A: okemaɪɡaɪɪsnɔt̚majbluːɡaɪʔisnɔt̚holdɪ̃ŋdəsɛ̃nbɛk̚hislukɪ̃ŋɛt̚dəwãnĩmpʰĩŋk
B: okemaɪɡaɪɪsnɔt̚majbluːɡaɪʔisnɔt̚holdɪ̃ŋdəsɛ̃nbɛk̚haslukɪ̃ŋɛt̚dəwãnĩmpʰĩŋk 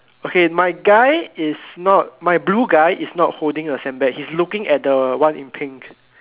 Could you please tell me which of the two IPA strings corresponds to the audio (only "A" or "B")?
A